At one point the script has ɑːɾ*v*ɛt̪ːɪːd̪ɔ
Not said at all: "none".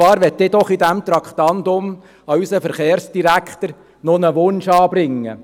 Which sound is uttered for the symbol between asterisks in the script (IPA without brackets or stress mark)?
ʋ